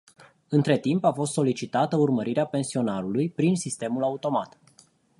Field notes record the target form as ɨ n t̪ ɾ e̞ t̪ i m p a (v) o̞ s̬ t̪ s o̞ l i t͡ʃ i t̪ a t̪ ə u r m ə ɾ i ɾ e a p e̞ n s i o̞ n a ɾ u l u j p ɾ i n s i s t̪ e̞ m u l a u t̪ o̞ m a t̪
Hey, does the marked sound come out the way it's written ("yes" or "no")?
no